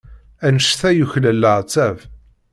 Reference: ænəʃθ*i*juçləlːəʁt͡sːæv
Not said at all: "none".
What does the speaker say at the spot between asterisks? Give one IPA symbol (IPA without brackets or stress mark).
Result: æ